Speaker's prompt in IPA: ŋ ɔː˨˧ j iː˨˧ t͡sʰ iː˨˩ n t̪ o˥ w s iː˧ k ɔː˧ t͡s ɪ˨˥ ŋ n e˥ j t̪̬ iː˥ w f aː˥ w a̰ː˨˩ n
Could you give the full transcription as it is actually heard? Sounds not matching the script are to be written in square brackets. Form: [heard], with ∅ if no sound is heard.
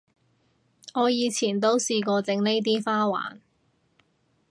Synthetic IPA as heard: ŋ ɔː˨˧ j iː˨˧ t͡sʰ iː˨˩ n t̪ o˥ w s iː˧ k ɔː˧ t͡s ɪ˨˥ ŋ n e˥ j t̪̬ iː˥ [∅] f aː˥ w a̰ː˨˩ n